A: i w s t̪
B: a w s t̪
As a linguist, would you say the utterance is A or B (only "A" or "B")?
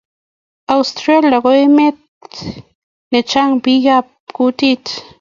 B